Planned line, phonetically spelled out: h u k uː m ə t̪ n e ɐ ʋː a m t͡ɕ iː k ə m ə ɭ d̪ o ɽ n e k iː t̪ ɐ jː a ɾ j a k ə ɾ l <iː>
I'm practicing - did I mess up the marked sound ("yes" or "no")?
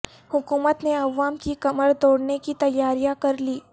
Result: no